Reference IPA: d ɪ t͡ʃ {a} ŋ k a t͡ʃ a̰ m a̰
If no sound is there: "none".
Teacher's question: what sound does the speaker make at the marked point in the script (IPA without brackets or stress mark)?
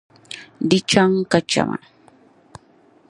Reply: a